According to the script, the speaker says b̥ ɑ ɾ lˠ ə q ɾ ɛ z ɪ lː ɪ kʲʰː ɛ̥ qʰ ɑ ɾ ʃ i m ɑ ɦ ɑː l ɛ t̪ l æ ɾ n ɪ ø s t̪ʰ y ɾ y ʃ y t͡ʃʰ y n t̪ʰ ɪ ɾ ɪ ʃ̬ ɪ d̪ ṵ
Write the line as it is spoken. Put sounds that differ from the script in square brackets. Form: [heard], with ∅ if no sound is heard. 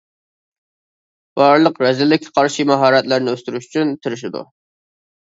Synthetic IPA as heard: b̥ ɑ ɾ lˠ ə q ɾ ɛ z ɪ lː ɪ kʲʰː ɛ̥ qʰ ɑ ɾ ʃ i m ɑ ɦ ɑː [ɾ] ɛ t̪ l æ ɾ n ɪ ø s [t̪] y ɾ y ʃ y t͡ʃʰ y n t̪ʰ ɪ ɾ ɪ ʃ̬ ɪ d̪ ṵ

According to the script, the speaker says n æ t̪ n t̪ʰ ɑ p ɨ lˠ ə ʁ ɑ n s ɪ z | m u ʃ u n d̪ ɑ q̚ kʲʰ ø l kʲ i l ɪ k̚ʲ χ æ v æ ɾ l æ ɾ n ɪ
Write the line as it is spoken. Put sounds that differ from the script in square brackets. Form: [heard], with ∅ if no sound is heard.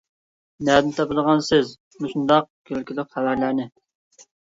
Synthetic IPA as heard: n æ [d̪] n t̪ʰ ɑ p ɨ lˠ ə ʁ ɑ n s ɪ z | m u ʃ u n d̪ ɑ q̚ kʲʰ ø l kʲ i l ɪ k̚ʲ χ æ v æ ɾ l æ ɾ n ɪ

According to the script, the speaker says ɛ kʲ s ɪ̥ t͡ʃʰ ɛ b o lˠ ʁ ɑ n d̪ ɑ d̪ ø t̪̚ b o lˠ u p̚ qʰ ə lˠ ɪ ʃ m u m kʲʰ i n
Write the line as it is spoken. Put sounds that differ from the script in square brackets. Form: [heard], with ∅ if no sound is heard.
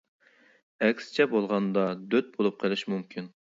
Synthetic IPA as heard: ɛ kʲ s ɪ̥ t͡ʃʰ ɛ b o lˠ ʁ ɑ n d̪ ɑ d̪ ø t̪̚ b o lˠ u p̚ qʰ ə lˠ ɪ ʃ m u m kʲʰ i n

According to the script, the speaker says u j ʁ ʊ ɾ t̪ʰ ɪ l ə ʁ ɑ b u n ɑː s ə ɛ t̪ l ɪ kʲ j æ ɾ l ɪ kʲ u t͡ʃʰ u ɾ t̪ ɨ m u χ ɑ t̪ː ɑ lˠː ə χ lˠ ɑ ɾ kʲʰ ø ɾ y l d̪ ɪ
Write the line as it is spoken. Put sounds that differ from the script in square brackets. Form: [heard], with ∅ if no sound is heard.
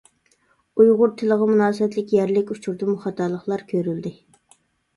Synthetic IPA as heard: u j ʁ ʊ ɾ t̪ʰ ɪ l ə ʁ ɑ [m] u n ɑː s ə ɛ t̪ l ɪ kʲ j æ ɾ l ɪ kʲ u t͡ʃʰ u ɾ [d̪] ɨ m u χ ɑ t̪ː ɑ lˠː ə χ lˠ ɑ ɾ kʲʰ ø ɾ y l d̪ ɪ

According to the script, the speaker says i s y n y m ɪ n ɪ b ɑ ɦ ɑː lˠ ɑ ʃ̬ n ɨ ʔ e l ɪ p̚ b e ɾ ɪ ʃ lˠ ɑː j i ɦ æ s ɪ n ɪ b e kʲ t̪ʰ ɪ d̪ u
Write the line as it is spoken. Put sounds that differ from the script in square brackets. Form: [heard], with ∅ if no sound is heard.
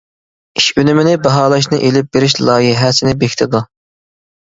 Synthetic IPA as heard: i [ʃ] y n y m ɪ n ɪ b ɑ ɦ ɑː lˠ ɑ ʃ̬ n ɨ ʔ e l ɪ p̚ b e ɾ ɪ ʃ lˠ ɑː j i ɦ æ s ɪ n ɪ b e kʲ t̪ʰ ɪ d̪ u

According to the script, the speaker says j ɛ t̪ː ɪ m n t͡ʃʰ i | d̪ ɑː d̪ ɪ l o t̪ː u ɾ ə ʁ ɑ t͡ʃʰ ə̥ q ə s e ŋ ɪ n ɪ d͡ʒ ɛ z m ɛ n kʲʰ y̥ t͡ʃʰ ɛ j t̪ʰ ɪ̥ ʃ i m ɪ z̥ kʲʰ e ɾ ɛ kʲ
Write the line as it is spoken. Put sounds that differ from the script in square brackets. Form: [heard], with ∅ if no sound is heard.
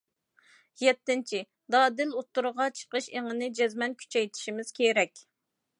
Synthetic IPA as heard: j ɛ t̪ː ɪ [∅] n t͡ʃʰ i | d̪ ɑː d̪ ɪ l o t̪ː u ɾ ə ʁ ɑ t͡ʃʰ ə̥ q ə [ʃ] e ŋ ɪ n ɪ d͡ʒ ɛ z m ɛ n kʲʰ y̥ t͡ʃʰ ɛ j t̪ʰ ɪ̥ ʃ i m ɪ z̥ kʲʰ e ɾ ɛ kʲ

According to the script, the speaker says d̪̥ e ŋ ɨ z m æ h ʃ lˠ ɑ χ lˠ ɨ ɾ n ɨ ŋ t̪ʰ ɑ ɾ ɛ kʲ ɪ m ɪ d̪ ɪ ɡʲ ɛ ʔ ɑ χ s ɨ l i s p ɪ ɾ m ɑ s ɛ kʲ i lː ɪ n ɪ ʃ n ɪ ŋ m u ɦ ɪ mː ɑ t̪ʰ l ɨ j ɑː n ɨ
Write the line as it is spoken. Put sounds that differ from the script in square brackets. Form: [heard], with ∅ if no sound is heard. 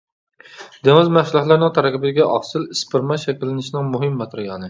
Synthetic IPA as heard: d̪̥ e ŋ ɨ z m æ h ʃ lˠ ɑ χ lˠ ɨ ɾ n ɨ ŋ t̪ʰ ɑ ɾ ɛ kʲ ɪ [b] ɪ d̪ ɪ ɡʲ ɛ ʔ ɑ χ s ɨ l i s p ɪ ɾ m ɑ [ʃ] ɛ kʲ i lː ɪ n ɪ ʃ n ɪ ŋ m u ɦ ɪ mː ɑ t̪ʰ [ɾ] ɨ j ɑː n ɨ

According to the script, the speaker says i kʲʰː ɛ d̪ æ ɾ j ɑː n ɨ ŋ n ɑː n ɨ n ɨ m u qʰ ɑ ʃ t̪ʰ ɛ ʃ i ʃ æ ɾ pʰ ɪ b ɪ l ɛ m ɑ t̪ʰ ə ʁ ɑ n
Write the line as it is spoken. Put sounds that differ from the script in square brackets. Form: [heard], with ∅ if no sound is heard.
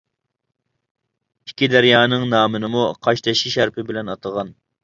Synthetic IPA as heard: i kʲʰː [i] d̪ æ ɾ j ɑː n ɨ ŋ n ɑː [m] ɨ n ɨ m u qʰ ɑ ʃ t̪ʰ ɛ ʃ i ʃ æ ɾ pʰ ɪ b ɪ l ɛ [n] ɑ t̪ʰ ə ʁ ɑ n

